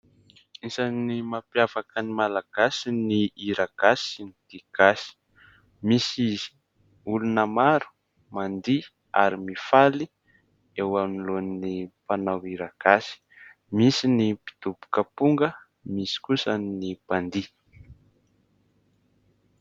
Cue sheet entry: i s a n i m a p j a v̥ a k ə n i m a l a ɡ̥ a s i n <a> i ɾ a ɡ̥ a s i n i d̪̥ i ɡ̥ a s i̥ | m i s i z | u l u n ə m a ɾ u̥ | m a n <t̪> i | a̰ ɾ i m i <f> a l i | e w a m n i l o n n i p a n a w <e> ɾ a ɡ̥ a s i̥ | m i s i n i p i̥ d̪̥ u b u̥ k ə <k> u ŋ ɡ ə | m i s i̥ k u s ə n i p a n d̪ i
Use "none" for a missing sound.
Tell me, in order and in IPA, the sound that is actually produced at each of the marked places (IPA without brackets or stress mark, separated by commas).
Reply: i, d̪, f, i, p